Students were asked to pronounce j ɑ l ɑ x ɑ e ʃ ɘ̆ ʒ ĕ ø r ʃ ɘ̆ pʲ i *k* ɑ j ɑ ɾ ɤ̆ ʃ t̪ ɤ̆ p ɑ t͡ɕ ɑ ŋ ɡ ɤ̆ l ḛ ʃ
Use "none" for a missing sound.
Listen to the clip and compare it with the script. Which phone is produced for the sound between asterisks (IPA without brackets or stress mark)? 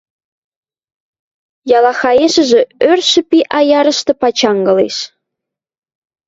ʔ